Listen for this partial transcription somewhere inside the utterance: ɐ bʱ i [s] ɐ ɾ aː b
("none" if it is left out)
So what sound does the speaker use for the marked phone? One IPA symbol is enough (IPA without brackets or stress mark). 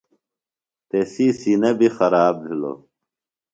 x